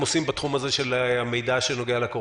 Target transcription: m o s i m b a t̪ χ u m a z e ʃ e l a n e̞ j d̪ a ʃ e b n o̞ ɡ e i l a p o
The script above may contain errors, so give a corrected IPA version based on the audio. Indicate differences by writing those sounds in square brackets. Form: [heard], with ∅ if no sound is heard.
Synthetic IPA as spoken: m o s i m b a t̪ χ u m a z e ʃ e l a [m] e̞ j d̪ a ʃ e [∅] n o̞ ɡ e [a] l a [k] o